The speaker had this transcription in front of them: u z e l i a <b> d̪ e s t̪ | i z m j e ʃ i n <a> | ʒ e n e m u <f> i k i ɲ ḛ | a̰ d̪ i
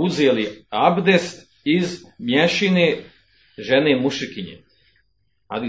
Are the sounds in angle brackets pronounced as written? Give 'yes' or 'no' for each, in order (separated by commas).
yes, no, no